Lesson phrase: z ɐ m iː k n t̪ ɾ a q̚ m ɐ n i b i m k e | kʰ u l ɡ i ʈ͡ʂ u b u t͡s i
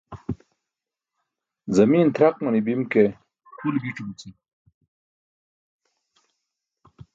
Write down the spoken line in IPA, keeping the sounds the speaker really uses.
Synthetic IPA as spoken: z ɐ m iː n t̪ ɾ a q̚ m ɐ n i b i m k e | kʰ u l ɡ i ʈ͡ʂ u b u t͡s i